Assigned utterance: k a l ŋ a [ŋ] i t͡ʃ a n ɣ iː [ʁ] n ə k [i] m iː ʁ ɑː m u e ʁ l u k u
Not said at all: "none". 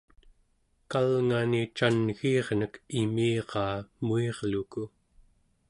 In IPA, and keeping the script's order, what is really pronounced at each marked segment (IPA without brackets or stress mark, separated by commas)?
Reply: n, ʁ, i